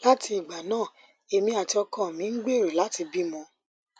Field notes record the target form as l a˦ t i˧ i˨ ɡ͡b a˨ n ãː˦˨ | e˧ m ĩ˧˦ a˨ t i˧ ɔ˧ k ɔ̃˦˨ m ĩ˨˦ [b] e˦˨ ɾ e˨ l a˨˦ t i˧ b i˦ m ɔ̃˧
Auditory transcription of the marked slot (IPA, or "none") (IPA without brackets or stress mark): ɡ͡b